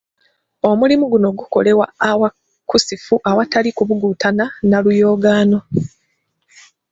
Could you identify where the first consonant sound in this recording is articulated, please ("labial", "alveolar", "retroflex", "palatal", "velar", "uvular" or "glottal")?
labial